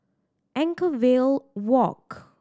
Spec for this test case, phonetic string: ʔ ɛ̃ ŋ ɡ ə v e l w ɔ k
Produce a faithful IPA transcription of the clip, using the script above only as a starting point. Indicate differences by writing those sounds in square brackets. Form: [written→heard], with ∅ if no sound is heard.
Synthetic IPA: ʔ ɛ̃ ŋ [ɡ→k] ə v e l w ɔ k